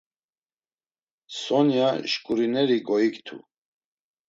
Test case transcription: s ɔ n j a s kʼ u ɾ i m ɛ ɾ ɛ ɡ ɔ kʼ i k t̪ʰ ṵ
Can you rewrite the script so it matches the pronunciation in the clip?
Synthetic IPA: s ɔ n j a ʃ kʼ u ɾ i n ɛ ɾ i ɡ ɔ i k t̪ʰ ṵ